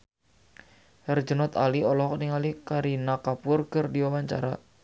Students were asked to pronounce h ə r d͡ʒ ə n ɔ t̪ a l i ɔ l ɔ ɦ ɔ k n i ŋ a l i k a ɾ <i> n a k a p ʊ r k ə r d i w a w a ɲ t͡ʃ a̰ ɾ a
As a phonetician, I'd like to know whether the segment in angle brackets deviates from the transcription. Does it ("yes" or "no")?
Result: no